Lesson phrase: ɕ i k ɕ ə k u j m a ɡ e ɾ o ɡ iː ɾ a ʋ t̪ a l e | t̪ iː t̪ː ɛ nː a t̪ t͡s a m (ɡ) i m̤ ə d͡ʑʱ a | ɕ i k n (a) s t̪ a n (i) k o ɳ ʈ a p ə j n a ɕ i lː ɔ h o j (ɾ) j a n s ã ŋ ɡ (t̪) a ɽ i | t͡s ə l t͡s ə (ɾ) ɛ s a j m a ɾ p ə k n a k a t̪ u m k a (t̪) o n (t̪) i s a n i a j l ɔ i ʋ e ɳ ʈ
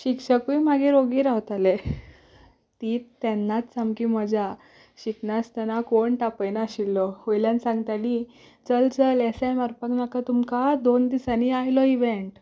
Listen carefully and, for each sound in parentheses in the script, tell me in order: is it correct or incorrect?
incorrect: k, correct, incorrect: a, incorrect: l, correct, incorrect: l, incorrect: d̪, incorrect: d̪

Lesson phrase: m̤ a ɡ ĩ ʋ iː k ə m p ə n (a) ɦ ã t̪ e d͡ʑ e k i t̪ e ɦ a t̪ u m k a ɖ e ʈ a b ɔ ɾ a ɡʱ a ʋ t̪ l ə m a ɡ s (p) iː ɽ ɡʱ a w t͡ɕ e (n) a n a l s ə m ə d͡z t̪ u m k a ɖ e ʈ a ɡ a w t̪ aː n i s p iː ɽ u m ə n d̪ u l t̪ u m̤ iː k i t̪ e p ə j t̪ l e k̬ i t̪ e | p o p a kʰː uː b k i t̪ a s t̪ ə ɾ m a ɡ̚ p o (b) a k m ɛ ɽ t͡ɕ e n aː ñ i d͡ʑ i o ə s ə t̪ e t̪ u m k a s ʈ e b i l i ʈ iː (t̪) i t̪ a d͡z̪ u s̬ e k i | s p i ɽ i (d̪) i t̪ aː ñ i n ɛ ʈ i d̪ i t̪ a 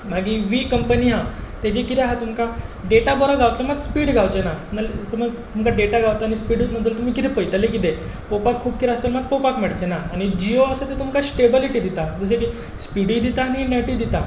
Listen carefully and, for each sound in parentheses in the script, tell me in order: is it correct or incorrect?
incorrect: i, correct, correct, incorrect: p, incorrect: d̪, correct

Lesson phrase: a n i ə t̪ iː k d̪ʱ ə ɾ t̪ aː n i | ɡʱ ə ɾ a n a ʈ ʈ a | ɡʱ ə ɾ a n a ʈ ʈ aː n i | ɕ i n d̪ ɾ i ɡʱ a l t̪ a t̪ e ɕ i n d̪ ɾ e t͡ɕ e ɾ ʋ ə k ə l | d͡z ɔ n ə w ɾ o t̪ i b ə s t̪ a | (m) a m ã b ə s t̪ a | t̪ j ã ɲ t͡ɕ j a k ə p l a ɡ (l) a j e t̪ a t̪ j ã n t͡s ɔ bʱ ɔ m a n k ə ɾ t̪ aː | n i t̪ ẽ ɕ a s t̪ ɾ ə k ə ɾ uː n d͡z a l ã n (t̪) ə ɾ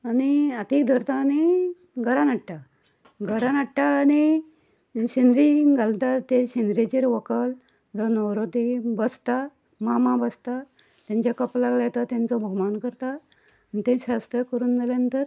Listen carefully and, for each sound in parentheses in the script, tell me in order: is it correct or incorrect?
correct, correct, correct

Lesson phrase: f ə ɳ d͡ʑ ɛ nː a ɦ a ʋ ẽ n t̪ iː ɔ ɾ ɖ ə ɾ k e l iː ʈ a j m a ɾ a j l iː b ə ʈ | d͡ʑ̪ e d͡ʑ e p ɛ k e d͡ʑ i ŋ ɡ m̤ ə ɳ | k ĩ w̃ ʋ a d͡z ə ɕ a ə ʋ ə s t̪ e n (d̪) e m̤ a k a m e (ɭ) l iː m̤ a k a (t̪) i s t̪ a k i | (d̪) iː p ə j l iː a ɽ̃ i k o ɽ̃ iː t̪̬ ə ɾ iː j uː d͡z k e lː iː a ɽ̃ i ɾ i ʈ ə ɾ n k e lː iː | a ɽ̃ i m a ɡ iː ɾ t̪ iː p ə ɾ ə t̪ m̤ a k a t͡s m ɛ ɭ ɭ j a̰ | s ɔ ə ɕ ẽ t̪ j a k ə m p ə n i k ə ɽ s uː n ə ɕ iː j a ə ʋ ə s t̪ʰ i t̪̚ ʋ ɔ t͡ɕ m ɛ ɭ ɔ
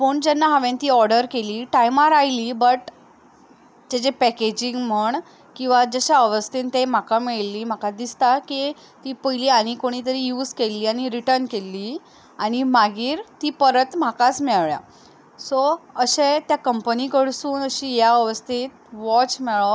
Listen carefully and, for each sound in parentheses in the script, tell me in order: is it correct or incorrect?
incorrect: t̪, correct, incorrect: d̪, incorrect: t̪

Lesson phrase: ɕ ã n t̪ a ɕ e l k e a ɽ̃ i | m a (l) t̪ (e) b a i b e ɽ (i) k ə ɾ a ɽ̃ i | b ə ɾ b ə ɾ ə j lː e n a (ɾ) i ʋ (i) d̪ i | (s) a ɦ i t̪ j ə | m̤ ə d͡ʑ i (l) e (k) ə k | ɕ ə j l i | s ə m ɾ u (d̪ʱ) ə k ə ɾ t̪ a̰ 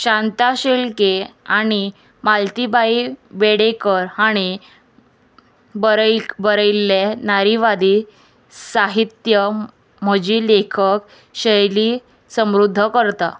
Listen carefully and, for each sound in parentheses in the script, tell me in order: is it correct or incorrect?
correct, incorrect: i, incorrect: e, correct, incorrect: a, correct, correct, incorrect: kʰ, incorrect: d̪ʱː

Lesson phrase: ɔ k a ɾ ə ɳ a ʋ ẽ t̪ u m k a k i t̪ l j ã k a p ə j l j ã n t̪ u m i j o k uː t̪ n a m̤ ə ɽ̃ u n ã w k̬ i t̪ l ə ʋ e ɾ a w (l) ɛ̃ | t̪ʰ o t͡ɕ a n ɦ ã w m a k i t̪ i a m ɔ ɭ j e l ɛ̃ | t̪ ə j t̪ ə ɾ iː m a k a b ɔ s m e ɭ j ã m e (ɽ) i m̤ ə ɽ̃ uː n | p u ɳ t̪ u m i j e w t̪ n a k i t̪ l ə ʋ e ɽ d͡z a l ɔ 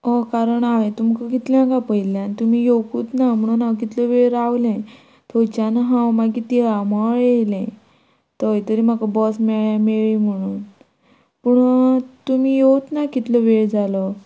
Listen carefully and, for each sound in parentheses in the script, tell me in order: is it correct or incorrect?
correct, incorrect: ɭ

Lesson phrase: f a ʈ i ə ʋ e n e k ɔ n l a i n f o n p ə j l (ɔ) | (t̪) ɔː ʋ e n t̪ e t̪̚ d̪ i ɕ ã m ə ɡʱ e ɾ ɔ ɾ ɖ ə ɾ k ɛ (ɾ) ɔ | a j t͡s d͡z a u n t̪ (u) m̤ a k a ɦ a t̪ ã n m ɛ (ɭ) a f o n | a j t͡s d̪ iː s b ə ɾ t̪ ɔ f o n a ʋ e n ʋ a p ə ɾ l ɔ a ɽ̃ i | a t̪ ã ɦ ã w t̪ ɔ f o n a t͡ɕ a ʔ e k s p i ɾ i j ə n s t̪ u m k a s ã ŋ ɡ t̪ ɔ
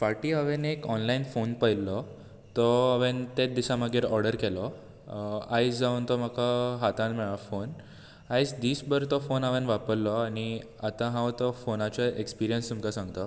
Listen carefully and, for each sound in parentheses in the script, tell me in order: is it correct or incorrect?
correct, correct, incorrect: l, incorrect: ɔ, correct

